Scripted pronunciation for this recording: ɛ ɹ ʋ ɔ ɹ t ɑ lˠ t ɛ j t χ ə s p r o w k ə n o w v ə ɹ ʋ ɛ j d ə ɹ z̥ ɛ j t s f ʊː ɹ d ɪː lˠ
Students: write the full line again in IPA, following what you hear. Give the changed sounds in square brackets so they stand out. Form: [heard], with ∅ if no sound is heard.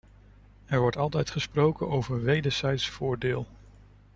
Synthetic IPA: ɛ ɹ ʋ ɔ ɹ t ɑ lˠ t ɛ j t χ ə s p r o w k ə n o w v ə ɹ ʋ [e] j d ə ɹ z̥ ɛ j t s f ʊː ɹ d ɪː lˠ